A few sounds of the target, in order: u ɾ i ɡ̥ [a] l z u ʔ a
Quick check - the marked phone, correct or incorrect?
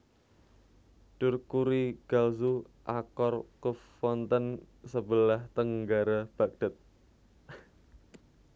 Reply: correct